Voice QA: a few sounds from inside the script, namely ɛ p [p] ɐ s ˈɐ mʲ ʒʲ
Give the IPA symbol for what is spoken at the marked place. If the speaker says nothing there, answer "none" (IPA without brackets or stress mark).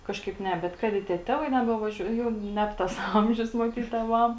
t